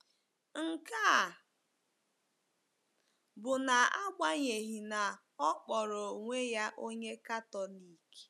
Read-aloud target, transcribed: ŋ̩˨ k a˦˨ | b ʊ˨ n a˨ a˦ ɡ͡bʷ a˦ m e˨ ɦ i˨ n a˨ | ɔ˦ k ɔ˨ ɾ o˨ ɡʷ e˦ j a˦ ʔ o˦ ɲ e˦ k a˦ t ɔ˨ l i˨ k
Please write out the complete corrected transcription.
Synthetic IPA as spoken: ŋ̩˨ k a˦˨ | b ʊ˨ n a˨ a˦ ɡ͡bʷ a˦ ɲ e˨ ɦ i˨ n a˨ | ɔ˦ k͡p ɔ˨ ɾ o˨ ŋʷ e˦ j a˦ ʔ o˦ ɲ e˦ k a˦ t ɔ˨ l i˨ k